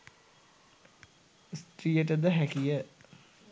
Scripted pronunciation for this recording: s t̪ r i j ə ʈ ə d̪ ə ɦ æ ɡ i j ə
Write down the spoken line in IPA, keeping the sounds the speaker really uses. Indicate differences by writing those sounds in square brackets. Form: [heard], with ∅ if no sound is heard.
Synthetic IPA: s t̪ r i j ə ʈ ə d̪ ə ɦ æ [k] i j ə